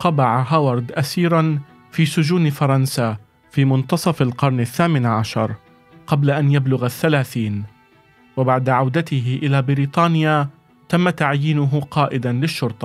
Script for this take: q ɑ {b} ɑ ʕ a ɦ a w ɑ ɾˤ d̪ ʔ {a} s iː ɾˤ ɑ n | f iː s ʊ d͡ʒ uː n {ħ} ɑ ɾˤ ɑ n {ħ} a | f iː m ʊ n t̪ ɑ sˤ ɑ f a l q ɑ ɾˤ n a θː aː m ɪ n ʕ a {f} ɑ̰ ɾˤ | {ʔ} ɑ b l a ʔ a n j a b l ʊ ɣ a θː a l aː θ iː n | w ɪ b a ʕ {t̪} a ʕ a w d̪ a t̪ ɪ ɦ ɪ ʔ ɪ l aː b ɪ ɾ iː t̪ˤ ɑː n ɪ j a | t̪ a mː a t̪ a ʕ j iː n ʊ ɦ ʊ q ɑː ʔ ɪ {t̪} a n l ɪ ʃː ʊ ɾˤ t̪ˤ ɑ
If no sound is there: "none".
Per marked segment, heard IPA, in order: b, a, f, s, ʃ, q, d̪, d̪

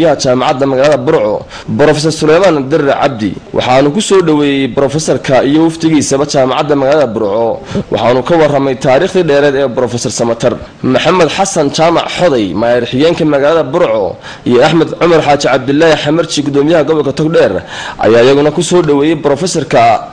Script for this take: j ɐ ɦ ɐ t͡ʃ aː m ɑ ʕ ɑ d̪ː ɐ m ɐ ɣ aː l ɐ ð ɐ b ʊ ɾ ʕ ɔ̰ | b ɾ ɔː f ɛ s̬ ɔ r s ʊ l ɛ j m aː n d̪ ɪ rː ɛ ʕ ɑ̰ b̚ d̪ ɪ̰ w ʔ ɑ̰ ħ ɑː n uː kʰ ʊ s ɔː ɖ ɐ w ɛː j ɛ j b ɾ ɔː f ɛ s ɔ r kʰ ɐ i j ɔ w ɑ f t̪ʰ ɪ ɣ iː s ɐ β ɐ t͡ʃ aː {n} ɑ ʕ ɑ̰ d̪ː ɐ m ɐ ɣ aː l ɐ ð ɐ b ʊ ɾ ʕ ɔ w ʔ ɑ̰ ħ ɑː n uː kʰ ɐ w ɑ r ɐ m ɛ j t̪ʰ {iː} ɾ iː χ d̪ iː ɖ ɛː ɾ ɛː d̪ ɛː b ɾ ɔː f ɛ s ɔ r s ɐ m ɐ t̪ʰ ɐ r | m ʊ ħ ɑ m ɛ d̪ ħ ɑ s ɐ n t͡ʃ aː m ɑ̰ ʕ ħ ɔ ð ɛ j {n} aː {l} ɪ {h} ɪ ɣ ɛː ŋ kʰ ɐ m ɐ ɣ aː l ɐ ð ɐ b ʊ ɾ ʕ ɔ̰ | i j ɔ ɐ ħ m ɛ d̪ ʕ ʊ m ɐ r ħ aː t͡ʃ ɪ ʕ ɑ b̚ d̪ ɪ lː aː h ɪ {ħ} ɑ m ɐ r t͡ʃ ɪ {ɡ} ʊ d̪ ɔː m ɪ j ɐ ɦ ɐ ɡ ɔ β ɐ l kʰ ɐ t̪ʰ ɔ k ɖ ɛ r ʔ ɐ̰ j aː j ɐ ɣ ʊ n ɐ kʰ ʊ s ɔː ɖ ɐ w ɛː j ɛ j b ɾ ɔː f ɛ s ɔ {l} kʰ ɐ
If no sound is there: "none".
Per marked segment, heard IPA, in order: m, aː, m, ɾ, ħ, ħ, ɡ, r

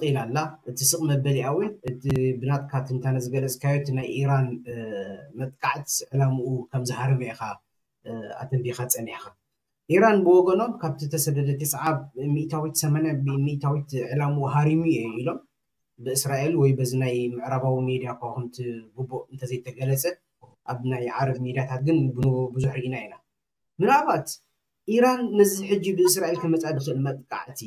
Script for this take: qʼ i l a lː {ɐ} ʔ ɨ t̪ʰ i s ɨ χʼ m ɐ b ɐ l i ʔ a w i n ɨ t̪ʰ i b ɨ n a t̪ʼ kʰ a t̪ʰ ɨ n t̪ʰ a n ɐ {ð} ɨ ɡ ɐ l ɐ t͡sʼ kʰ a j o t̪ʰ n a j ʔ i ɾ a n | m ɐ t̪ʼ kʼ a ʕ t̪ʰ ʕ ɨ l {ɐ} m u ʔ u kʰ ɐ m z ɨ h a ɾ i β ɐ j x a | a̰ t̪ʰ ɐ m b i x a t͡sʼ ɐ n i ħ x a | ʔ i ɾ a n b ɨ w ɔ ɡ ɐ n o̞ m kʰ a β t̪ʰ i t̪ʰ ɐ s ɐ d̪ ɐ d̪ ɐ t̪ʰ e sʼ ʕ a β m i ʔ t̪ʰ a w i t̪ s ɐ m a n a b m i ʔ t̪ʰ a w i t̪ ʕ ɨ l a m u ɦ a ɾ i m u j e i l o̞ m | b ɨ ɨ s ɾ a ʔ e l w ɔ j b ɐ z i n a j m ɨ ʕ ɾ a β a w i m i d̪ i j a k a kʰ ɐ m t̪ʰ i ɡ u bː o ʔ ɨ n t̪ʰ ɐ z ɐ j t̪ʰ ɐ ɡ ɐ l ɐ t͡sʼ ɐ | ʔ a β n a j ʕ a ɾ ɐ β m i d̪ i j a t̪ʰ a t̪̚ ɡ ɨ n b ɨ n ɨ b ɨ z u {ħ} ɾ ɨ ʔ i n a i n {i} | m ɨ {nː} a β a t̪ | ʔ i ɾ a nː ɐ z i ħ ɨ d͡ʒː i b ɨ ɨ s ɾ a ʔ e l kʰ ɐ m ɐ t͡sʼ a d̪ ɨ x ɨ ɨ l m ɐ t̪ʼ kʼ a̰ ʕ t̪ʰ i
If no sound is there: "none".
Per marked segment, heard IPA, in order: a, z, a, ħ, a, n

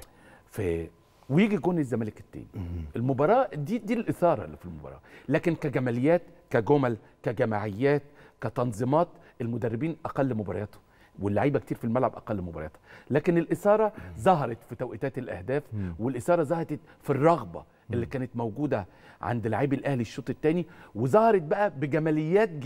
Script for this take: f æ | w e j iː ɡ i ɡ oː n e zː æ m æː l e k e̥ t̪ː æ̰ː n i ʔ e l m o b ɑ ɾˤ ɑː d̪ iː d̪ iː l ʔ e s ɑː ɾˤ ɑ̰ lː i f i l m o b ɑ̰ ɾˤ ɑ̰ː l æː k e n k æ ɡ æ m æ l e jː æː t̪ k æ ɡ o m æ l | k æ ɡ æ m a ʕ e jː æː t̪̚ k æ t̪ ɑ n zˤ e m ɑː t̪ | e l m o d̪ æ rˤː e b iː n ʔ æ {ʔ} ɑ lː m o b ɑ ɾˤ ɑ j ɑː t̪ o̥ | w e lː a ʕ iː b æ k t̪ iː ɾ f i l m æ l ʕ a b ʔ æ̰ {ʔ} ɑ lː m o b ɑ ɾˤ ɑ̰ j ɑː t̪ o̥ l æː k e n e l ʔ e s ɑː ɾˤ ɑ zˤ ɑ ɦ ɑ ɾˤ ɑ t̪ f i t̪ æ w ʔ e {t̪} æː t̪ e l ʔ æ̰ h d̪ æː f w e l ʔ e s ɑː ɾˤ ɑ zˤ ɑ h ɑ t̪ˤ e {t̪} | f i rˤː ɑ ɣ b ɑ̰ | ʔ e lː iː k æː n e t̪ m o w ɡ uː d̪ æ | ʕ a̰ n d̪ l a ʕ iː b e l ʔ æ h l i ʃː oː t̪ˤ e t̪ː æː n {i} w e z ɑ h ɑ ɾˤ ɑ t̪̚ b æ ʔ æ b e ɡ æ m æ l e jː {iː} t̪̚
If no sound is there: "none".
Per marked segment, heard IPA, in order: q, q, t̪, t̪, i, æː

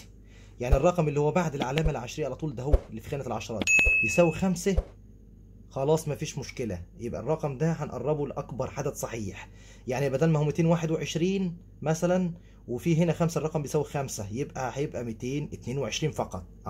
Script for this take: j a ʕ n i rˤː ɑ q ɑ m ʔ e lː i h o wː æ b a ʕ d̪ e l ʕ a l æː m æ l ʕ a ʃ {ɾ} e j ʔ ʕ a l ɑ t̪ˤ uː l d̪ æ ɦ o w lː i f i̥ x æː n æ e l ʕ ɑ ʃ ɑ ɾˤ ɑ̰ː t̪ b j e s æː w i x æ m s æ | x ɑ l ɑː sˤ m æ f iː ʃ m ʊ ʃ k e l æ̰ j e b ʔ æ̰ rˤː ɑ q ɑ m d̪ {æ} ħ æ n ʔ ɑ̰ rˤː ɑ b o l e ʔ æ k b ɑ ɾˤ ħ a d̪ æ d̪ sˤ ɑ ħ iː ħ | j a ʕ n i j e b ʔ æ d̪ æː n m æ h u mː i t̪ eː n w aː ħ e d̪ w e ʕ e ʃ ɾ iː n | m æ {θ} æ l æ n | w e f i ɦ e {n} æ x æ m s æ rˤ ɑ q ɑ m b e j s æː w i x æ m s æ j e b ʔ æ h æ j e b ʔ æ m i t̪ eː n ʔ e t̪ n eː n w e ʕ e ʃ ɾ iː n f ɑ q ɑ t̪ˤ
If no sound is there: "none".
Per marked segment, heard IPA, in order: ɾ, æ, s, n

